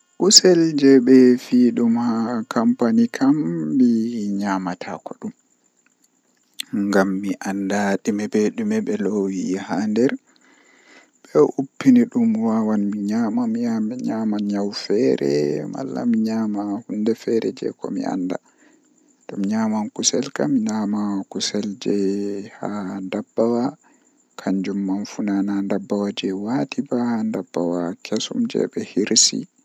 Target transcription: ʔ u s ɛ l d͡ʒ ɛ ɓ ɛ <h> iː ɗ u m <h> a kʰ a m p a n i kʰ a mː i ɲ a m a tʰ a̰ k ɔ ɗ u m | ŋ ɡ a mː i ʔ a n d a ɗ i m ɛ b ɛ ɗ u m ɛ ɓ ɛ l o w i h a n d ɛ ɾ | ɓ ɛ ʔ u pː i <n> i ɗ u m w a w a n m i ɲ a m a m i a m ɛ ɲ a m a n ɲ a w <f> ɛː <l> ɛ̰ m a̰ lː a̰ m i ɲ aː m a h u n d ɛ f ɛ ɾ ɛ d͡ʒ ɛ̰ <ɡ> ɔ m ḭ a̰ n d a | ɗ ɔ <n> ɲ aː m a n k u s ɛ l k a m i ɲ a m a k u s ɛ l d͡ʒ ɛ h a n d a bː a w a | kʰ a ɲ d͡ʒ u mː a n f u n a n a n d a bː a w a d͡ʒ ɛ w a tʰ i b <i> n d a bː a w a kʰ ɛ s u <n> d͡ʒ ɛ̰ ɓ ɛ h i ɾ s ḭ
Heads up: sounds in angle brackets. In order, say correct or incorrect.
incorrect, correct, correct, correct, incorrect, incorrect, incorrect, incorrect, incorrect

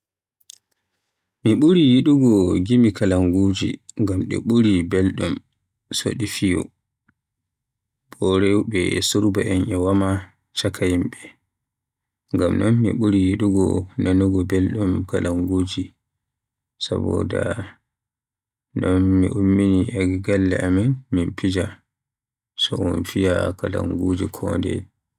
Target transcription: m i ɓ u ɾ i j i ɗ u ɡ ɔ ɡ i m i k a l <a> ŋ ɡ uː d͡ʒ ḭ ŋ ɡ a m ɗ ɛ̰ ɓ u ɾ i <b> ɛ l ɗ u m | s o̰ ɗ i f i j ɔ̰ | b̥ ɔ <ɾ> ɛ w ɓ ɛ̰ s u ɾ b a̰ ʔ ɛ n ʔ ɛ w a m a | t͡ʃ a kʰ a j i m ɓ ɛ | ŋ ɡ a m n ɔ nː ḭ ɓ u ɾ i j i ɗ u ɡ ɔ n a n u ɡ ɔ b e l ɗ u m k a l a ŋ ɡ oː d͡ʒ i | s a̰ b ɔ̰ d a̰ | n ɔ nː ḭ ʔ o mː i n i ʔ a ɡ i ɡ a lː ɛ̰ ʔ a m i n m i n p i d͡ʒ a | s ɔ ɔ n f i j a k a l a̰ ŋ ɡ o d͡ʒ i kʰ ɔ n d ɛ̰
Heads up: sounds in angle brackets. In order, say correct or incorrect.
correct, correct, correct

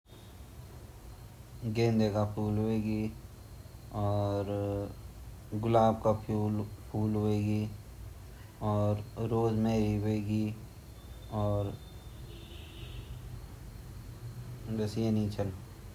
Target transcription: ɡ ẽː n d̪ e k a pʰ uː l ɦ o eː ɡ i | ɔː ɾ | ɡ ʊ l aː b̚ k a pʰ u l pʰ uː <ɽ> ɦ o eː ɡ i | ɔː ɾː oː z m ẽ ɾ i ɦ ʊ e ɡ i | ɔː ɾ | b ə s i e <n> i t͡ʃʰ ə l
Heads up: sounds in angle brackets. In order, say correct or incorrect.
incorrect, correct

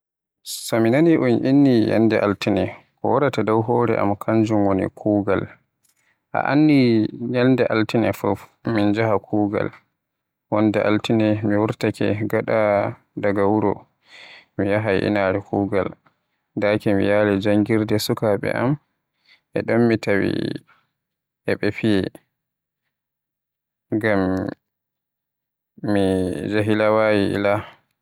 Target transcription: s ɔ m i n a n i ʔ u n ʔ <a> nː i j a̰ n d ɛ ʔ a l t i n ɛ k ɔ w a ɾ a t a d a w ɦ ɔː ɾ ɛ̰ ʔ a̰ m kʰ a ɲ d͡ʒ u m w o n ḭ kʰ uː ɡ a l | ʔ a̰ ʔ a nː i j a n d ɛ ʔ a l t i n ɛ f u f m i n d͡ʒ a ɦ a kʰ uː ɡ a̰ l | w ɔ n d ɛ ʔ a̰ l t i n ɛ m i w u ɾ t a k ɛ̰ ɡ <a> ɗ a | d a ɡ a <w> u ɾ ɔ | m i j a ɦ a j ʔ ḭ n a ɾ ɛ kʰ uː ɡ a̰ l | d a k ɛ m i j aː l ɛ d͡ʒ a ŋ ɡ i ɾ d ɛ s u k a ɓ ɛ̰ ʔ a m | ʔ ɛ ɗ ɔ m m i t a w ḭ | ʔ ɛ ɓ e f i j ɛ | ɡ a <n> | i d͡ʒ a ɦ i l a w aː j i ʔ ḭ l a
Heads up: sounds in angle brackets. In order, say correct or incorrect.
incorrect, correct, correct, incorrect

